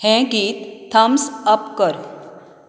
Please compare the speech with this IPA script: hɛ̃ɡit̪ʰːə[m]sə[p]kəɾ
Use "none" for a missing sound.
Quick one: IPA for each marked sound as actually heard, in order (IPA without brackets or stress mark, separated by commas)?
m, p